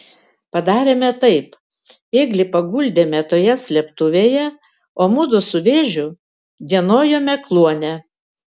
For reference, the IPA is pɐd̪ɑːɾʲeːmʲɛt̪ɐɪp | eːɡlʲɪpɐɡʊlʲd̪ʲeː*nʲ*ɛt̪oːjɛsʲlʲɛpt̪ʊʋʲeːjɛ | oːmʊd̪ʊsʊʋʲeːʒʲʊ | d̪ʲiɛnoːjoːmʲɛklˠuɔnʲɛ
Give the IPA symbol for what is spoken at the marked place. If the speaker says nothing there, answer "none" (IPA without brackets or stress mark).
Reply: mʲ